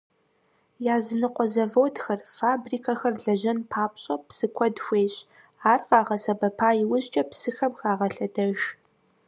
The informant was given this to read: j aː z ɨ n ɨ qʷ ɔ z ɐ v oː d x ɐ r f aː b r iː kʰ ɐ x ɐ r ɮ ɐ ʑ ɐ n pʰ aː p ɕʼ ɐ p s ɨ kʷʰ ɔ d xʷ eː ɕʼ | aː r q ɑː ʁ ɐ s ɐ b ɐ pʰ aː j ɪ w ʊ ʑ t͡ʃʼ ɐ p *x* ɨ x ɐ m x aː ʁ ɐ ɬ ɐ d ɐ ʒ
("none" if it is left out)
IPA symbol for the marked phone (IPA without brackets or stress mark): s